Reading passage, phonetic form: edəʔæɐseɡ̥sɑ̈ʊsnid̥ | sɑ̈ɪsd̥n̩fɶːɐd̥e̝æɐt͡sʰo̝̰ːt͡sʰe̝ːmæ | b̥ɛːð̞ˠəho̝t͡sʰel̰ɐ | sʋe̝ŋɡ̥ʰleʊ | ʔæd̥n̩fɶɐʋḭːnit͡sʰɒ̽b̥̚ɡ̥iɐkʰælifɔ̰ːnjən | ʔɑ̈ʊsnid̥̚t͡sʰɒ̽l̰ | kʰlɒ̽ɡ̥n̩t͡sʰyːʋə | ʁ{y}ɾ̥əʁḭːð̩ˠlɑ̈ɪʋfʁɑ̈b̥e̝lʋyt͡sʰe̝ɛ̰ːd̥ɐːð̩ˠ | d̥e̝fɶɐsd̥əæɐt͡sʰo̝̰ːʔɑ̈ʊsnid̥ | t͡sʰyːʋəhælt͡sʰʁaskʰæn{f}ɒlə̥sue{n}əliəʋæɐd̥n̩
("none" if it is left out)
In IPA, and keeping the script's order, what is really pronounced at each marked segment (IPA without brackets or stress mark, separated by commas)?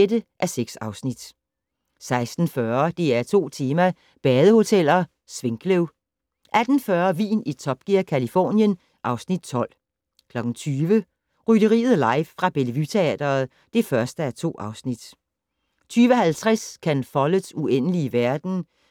y, f, n